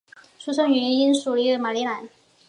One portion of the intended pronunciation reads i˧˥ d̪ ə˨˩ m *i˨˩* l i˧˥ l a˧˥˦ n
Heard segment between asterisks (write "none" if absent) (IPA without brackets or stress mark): a˨˩